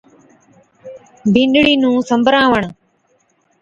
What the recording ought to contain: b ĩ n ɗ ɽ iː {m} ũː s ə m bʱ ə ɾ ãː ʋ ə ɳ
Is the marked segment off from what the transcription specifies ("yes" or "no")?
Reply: yes